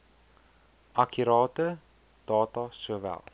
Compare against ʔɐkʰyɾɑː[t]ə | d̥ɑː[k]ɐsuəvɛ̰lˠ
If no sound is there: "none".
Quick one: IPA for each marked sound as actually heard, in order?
t, t

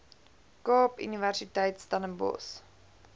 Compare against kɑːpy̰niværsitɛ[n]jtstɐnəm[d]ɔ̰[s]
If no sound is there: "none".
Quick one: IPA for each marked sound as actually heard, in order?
none, b, s

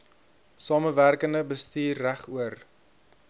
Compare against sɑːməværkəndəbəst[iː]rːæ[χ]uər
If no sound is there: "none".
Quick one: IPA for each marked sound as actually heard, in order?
iː, χ

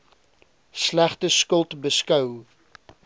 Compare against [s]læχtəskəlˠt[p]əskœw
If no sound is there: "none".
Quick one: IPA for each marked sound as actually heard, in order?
s, b

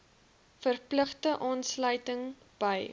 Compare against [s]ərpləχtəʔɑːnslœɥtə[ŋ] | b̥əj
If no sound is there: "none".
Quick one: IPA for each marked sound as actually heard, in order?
f, ŋ

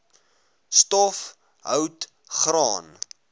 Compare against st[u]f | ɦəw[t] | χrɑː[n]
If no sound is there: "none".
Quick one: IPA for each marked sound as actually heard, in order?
ɔ, t, n

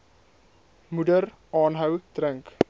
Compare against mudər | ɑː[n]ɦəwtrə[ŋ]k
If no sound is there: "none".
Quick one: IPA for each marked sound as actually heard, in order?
n, ŋ

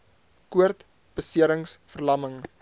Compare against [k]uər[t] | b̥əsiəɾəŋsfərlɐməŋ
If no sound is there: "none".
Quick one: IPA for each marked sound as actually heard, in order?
k, t

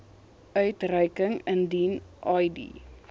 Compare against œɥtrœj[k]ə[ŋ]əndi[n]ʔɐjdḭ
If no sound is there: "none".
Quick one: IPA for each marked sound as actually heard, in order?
k, ŋ, n

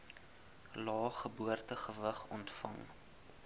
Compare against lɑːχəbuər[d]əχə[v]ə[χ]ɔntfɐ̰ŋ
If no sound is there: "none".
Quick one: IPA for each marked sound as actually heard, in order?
t, v, χ

